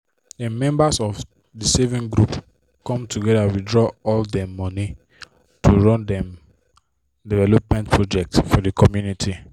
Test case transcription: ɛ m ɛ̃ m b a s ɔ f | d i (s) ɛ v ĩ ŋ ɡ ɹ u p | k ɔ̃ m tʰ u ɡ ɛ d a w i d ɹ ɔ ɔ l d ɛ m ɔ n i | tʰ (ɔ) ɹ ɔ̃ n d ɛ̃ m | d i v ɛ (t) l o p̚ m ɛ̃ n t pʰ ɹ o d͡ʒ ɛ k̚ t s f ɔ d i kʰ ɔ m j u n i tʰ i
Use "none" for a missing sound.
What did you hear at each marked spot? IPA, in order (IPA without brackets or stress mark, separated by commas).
s, u, none